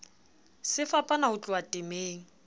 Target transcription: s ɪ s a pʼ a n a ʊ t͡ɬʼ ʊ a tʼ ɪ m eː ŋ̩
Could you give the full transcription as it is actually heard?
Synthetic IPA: s ɪ f a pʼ a n a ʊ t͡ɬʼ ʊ a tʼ ɪ m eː ŋ̩